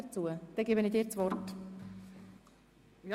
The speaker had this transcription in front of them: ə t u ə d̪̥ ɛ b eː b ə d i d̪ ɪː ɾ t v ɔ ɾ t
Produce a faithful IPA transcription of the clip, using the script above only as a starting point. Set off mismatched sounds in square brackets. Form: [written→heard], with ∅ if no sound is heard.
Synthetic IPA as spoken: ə [t→t͡s] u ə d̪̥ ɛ [b→ɡ] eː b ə [d→n] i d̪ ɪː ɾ [t→t͡s] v ɔ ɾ t